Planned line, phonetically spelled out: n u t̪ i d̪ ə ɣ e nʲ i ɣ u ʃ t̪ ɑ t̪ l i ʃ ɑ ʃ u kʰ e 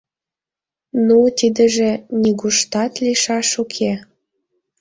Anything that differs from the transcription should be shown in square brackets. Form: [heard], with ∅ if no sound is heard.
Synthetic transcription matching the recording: n u t̪ i d̪ ə [ʒ] e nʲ i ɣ u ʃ t̪ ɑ t̪ l i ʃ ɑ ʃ u kʰ e